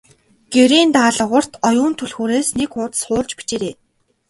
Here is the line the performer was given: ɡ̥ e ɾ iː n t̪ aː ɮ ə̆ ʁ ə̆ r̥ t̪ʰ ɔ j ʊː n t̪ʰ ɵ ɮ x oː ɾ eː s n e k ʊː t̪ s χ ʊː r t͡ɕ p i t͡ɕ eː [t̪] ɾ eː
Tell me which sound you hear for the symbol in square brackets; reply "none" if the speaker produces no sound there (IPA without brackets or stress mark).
none